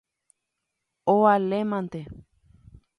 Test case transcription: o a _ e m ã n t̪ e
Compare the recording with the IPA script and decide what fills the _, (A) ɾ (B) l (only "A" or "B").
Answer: B